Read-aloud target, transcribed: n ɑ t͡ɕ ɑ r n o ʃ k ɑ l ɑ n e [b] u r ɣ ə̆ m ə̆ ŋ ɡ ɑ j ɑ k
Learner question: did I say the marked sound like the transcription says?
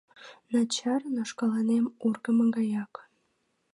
no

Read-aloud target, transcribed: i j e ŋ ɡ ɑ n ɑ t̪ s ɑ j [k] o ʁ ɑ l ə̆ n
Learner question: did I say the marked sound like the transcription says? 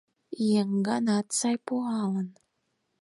no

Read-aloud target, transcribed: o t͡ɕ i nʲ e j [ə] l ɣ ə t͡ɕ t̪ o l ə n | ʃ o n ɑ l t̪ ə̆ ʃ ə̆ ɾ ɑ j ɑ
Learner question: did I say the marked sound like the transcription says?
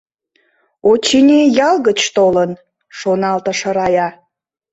no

